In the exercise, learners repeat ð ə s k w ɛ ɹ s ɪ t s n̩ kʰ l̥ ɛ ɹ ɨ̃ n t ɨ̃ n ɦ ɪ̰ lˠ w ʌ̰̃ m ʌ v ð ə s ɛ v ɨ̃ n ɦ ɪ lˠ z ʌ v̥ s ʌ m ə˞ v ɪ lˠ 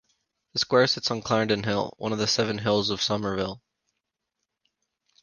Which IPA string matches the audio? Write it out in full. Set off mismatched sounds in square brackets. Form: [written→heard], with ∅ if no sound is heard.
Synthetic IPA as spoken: ð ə s k w ɛ ɹ s ɪ t s n̩ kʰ l̥ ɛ ɹ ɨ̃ n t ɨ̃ n ɦ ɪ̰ lˠ w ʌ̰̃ [m→n] ʌ v ð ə s ɛ v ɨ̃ n ɦ ɪ lˠ z ʌ v̥ s ʌ m ə˞ v ɪ lˠ